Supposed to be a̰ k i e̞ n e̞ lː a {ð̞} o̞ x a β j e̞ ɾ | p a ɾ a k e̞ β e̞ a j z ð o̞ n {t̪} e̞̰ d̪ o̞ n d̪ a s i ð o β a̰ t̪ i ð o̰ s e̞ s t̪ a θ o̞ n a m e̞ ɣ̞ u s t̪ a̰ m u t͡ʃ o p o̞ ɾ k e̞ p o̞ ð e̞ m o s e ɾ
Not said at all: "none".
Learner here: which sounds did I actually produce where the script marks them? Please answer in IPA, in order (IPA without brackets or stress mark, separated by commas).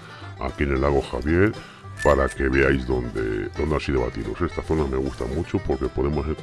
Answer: ɣ̞, d̪